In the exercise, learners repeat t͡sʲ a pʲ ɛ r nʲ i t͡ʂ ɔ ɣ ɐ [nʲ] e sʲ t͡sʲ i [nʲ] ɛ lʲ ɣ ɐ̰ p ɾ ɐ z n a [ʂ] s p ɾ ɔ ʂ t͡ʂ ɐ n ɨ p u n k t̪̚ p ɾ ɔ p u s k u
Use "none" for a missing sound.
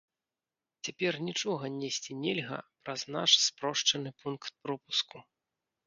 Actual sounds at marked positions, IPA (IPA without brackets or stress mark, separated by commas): nʲ, nʲ, ʂ